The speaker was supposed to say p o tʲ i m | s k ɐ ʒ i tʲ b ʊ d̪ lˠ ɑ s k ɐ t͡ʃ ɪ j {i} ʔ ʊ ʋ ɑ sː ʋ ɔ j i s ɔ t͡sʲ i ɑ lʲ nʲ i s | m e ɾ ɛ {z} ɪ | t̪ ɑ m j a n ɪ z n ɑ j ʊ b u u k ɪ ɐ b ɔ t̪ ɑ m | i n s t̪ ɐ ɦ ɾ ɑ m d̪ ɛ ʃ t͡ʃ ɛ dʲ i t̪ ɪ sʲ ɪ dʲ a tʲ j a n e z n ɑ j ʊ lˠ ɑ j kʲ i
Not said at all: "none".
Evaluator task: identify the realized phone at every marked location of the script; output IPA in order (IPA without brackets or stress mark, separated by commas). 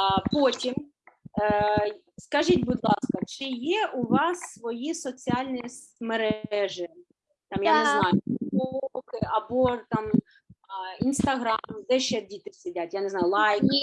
ɛ, ʒ